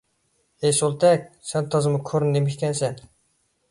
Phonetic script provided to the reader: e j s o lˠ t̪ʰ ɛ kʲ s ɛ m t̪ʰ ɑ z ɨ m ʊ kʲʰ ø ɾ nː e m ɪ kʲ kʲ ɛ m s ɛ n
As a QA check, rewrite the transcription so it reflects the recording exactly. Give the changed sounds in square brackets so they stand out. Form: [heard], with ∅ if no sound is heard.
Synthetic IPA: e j s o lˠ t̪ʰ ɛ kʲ s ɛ [n] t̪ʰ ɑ z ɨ m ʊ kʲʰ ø ɾ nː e m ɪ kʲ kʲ ɛ [n] s ɛ n